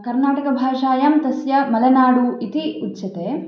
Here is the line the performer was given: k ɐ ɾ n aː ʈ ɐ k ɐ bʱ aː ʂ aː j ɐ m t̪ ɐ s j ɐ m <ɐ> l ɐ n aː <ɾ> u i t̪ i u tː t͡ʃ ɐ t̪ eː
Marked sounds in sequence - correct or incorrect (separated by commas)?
correct, incorrect